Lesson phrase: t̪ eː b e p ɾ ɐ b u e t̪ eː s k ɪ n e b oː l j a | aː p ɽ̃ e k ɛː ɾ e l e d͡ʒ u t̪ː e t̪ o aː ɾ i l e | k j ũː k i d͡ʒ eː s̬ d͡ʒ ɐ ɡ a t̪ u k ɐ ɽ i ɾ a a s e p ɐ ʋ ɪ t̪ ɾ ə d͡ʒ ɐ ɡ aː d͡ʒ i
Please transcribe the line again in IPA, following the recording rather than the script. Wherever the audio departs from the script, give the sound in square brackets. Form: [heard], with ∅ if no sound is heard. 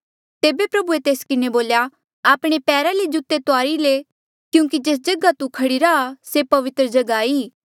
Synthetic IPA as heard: t̪ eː b e p ɾ ɐ b u e t̪ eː s k ɪ n e b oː l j a | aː p ɽ̃ e [p] ɛː ɾ [a] l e d͡ʒ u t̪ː e t̪ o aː ɾ i l e | k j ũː k i d͡ʒ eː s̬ d͡ʒ ɐ ɡ a t̪ u [kʰ] ɐ ɽ i ɾ a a s e p ɐ ʋ ɪ t̪ ɾ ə d͡ʒ ɐ ɡ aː [∅] i